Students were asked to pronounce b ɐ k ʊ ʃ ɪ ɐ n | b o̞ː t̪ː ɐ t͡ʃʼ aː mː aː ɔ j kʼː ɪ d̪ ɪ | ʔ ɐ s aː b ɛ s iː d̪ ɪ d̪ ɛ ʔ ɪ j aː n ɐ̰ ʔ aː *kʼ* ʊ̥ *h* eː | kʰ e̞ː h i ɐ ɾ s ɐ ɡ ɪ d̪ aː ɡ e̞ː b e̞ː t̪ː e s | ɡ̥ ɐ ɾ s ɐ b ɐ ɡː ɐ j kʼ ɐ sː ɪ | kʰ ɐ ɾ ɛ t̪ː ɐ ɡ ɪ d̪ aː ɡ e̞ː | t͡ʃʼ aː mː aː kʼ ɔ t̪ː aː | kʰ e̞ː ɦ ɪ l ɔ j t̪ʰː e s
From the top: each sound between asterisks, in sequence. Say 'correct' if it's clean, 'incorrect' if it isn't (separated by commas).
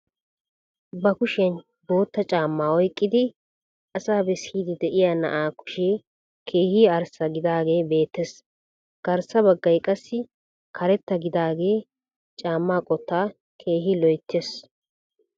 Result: incorrect, incorrect